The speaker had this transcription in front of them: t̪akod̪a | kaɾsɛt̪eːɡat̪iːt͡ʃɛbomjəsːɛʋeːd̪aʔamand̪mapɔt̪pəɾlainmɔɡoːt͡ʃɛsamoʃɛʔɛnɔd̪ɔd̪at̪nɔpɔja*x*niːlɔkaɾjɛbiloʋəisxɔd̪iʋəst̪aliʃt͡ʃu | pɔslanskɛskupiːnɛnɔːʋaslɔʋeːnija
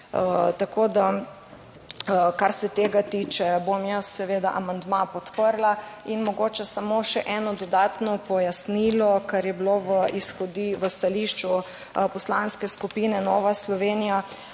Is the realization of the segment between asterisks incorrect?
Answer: yes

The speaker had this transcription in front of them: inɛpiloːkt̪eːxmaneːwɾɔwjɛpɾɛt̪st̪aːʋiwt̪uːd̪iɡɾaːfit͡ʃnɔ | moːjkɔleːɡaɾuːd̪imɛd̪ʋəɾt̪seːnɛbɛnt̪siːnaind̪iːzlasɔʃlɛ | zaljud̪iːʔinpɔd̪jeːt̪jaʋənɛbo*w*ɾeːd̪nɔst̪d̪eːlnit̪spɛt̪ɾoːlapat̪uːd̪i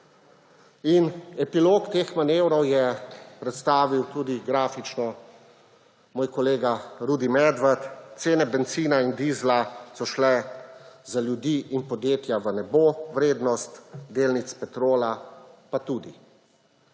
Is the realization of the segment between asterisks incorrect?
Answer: yes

